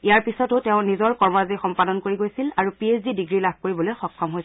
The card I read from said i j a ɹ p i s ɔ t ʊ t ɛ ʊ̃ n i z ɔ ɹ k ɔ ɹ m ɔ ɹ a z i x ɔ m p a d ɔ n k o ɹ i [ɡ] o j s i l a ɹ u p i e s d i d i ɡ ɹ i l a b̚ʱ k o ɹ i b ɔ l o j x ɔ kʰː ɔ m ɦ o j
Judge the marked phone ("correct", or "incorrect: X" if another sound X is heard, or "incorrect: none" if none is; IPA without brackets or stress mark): correct